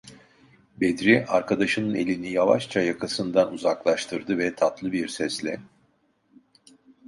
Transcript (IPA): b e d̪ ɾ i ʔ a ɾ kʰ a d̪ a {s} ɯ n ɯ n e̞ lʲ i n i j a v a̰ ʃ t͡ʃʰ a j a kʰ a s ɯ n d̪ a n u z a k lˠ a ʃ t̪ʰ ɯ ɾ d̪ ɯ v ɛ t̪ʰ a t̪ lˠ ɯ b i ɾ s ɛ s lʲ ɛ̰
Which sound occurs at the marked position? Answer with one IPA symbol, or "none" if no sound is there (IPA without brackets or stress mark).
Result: ʃ